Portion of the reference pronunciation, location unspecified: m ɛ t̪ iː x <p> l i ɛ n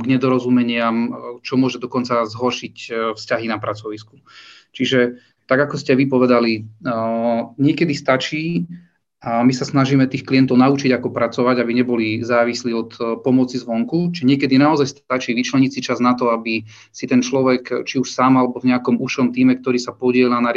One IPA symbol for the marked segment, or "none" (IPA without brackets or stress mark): k